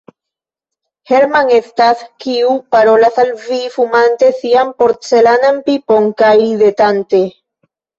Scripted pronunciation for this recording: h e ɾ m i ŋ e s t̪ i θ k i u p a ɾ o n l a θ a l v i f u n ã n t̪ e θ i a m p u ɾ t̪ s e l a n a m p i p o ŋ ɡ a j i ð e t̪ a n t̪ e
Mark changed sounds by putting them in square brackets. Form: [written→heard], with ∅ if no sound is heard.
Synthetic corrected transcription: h e ɾ m [i→a] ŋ e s t̪ [i→a] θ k i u p a ɾ o [n→∅] l a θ a l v i f u [n→m] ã n t̪ e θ i a m p [u→o] ɾ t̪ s e l a n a m p i p o ŋ [ɡ→k] a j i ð e t̪ a n t̪ e

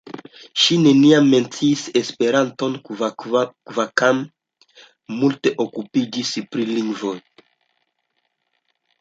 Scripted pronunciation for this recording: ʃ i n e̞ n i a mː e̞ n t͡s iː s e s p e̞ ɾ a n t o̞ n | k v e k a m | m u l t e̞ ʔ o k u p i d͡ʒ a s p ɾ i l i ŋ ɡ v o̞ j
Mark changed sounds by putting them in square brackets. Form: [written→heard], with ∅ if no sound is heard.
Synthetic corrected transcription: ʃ i n e̞ n i a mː e̞ n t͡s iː s e s p e̞ ɾ a n t o̞ n | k v [e→a] k a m | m u l t e̞ ʔ o k u p i d͡ʒ [a→i] s p ɾ i l i ŋ ɡ v o̞ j

